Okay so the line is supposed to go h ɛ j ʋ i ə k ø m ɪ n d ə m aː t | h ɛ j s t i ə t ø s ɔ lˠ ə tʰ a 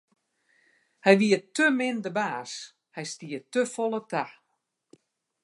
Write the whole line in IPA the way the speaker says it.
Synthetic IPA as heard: h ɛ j ʋ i ə t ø m ɪ n d ə b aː s | h ɛ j s t i ə t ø f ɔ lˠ ə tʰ a